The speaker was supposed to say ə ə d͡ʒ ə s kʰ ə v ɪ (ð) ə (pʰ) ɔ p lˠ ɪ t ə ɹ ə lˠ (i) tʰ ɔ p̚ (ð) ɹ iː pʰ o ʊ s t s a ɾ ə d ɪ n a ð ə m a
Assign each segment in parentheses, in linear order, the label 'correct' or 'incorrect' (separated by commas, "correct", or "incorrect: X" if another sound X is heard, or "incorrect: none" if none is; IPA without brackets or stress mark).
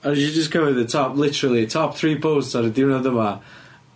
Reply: correct, incorrect: tʰ, correct, incorrect: θ